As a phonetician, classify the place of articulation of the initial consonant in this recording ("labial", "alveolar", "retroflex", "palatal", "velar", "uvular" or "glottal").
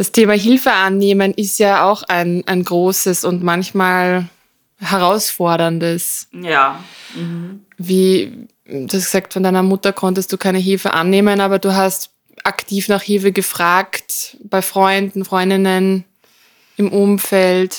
alveolar